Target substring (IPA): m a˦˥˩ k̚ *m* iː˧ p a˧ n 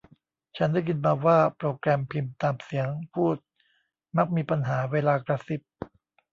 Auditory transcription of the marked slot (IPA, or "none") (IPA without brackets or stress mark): m